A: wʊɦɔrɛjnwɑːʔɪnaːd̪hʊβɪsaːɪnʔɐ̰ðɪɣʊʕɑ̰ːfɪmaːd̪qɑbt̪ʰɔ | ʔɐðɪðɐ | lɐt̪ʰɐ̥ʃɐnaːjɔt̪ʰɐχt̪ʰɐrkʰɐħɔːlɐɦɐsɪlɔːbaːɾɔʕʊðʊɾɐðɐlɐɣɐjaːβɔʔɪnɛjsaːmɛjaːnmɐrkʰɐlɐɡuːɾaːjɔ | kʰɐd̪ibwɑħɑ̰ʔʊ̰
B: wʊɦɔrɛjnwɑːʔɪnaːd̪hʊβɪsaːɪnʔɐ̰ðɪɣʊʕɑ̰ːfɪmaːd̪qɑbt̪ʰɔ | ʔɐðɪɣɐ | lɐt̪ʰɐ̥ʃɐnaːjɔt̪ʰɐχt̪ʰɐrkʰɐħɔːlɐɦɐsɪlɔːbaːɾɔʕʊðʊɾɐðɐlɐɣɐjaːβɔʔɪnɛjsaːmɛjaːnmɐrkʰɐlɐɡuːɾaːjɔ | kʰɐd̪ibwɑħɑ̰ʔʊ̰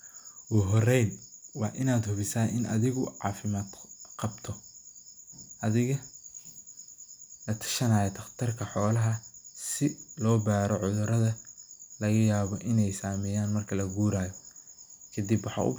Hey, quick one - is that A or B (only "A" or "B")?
B